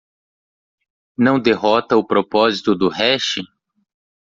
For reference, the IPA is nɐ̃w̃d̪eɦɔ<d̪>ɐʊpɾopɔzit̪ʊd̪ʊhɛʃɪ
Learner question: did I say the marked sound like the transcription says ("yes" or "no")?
no